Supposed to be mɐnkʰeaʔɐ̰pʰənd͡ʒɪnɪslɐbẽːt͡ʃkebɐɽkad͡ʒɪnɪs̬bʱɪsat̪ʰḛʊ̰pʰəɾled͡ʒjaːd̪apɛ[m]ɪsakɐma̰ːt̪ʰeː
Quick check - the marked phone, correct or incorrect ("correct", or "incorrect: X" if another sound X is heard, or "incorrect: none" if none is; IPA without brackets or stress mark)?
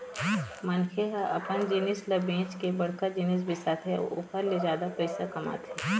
incorrect: none